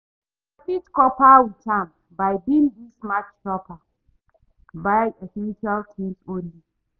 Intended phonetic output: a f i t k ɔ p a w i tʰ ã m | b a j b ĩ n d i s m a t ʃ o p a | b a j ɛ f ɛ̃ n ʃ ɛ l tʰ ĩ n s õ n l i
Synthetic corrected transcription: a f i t k ɔ p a w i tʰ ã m | b a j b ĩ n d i s m a t͡ʃ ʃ ɔ p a | b a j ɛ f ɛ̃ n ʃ a l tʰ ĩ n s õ n l i